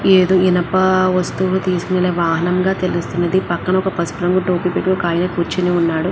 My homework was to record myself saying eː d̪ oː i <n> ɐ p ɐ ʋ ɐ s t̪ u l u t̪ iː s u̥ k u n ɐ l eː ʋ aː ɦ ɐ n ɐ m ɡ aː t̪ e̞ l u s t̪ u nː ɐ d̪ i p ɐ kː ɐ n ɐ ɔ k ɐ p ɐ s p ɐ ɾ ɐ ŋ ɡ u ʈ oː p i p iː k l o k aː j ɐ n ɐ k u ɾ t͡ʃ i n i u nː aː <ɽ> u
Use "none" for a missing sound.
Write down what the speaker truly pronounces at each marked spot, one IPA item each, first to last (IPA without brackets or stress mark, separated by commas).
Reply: n, ɽ